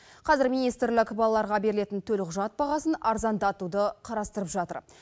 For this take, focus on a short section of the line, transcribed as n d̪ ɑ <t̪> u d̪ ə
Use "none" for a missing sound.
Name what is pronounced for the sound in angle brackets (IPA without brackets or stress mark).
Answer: t̪